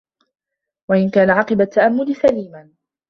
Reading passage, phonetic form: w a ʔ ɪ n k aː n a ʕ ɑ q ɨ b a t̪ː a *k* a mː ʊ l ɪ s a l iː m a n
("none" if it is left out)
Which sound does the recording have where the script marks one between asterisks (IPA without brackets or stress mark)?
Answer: ʔ